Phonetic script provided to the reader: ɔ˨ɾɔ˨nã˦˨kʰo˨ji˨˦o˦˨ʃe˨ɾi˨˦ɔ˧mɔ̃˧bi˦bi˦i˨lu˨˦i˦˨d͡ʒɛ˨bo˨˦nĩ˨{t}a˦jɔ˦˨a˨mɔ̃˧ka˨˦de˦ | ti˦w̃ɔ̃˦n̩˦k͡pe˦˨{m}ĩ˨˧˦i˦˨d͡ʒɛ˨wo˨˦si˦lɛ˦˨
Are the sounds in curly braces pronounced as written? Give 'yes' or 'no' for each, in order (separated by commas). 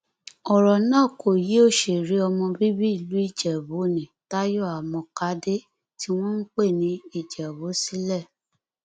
yes, no